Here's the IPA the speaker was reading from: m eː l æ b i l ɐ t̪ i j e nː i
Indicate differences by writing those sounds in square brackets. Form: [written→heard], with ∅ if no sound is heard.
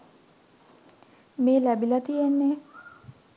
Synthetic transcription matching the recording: m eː l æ b i l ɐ t̪ i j e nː [i→e]